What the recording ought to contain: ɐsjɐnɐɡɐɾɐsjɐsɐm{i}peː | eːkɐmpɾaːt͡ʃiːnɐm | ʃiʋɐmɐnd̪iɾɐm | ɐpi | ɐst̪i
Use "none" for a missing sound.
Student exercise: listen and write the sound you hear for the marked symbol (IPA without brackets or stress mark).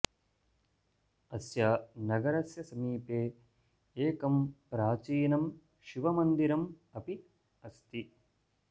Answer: iː